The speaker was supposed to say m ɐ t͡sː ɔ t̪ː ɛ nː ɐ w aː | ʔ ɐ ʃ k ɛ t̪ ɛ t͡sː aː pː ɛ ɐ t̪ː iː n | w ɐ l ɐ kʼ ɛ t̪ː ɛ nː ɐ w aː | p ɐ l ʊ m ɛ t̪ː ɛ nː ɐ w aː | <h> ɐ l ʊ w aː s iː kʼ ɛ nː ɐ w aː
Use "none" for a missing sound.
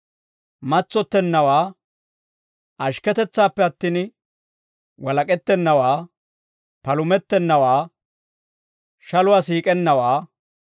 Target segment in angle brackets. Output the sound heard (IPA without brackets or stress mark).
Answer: ʃ